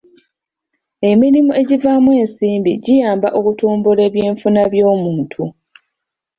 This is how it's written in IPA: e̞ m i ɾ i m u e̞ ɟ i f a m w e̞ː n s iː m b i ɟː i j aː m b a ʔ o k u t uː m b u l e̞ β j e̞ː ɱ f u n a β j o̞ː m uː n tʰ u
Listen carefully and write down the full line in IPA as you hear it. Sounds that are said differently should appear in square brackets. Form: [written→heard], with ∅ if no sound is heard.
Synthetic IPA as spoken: e̞ m i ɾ i m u e̞ ɟ i [f→v] a m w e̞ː n s iː m b i [ɟː→ɟ] i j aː m b a ʔ o k u t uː m b u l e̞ β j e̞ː ɱ f u n a β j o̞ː m uː n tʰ u